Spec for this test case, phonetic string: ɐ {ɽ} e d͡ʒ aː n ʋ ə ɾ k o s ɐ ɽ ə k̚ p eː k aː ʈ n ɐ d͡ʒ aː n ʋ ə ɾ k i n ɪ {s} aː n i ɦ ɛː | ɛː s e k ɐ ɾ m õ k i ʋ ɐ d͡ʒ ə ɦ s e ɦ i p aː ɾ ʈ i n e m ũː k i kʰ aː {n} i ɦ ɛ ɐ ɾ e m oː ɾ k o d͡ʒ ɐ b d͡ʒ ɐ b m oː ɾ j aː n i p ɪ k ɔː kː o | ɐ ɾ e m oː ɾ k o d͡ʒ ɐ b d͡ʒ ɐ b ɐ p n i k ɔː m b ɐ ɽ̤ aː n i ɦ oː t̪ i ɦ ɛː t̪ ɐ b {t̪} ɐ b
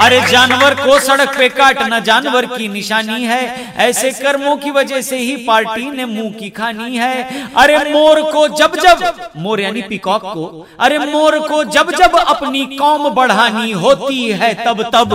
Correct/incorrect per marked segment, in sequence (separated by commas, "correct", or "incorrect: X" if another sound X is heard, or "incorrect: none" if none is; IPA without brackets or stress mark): incorrect: ɾ, incorrect: ʃ, correct, correct